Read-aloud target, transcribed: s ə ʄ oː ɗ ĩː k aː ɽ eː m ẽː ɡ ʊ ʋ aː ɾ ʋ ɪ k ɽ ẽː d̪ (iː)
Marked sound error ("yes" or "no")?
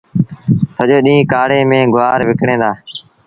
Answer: yes